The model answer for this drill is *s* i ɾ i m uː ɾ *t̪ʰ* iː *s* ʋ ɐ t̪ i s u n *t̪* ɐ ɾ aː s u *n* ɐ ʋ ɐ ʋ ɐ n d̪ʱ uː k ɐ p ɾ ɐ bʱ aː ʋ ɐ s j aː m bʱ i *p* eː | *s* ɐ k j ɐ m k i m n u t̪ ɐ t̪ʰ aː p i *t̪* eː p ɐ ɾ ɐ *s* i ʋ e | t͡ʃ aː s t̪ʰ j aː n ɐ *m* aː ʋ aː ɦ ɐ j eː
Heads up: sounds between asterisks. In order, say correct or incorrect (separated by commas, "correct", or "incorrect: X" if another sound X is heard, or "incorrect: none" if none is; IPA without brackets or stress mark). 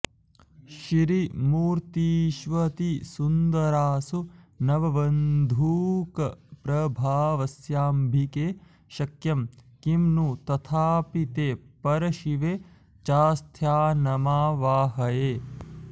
incorrect: ʃ, incorrect: t̪, incorrect: ʃ, incorrect: d̪, correct, incorrect: k, incorrect: ʃ, correct, incorrect: ʃ, correct